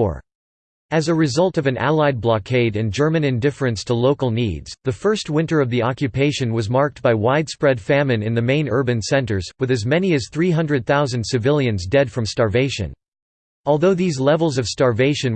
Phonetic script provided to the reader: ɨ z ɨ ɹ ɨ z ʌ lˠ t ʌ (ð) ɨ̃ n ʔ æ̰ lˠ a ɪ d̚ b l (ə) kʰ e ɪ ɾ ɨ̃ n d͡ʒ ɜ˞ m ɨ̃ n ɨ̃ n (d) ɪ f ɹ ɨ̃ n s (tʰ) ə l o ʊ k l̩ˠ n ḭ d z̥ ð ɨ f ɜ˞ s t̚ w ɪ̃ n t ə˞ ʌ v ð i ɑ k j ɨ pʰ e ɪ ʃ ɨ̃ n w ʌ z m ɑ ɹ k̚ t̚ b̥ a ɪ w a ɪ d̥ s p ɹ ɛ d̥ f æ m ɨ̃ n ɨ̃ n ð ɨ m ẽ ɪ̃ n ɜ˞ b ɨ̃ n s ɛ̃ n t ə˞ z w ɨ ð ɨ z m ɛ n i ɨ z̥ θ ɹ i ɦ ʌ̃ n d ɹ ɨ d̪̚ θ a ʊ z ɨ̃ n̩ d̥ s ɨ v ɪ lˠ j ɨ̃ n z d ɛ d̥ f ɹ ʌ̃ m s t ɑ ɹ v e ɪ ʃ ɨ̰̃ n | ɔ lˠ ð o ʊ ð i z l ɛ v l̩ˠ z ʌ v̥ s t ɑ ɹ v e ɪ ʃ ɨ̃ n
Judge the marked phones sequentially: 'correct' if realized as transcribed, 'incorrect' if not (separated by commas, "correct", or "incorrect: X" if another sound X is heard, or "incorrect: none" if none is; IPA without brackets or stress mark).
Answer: incorrect: v, incorrect: ɑ, correct, correct